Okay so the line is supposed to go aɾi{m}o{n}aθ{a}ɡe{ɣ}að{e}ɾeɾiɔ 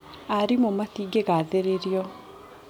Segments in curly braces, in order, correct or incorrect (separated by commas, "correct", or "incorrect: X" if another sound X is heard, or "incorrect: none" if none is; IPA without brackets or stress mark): correct, incorrect: m, incorrect: i, correct, correct